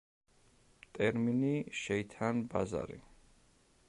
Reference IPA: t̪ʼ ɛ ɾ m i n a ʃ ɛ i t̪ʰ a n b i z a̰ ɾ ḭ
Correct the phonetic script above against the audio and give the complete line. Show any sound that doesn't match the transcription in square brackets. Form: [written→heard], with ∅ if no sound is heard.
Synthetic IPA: t̪ʼ ɛ ɾ m i n [a→i] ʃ ɛ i t̪ʰ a n b [i→a] z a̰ ɾ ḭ